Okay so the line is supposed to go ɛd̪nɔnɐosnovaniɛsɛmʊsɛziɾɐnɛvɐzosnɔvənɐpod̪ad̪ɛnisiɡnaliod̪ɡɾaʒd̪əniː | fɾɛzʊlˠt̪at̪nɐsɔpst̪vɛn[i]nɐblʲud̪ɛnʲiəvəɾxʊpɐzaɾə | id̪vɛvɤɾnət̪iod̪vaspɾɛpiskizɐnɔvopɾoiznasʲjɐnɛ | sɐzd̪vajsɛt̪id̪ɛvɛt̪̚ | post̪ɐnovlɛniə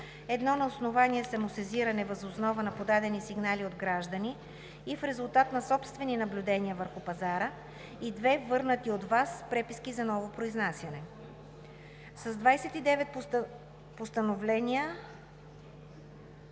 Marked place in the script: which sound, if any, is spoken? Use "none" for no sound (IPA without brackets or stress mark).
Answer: i